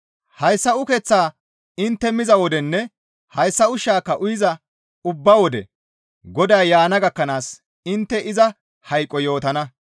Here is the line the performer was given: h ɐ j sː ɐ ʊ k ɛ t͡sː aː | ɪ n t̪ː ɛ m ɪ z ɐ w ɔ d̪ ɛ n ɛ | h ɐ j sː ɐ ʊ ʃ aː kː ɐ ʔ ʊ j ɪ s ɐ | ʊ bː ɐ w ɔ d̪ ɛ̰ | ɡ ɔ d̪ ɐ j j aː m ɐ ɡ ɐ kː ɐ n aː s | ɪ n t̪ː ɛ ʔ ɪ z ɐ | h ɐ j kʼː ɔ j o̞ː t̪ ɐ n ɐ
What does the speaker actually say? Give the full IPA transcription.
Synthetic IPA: h ɐ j sː ɐ ʊ k ɛ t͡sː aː | ɪ n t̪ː ɛ m ɪ z ɐ w ɔ d̪ ɛ nː ɛ | h ɐ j sː ɐ ʊ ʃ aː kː ɐ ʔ ʊ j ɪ z ɐ | ʊ bː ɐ w ɔ d̪ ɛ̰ | ɡ ɔ d̪ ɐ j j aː n ɐ ɡ ɐ kː ɐ n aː s | ɪ n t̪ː ɛ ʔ ɪ z ɐ | h ɐ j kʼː ɔ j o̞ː t̪ ɐ n ɐ